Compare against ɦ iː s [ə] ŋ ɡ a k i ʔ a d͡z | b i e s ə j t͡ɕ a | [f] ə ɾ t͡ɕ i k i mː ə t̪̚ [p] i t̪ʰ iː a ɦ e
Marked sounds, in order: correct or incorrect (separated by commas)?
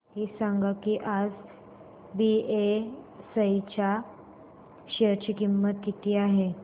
incorrect, incorrect, incorrect